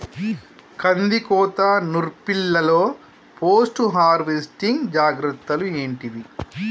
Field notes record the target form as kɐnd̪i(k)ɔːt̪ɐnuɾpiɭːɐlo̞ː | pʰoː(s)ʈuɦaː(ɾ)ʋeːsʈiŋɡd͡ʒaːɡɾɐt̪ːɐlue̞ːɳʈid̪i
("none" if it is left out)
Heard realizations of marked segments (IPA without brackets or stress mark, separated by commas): k, s, ɾ